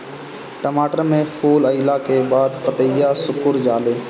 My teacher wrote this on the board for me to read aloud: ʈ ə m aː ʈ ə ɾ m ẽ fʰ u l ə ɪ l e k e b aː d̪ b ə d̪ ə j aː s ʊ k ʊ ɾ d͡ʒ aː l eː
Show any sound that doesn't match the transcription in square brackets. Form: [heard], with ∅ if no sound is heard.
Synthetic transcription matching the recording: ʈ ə m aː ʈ ə ɾ m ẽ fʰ [uː] l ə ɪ l [a] k e b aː d̪ [p] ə [t̪] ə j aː s ʊ k ʊ ɾ d͡ʒ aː l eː